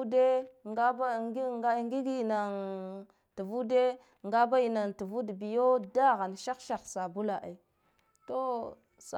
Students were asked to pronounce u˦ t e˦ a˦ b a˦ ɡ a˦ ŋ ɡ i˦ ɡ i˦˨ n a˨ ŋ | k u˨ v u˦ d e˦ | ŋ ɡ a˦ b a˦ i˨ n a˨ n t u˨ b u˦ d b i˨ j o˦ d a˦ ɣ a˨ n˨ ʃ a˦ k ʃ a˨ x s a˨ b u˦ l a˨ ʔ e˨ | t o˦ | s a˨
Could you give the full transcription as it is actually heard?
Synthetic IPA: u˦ d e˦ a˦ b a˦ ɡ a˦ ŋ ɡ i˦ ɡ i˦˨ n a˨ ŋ | t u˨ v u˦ d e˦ | ŋ ɡ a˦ b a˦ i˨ n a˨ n t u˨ v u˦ d b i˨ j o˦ d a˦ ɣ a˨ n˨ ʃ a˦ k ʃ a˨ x s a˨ b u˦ l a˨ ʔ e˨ | t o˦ | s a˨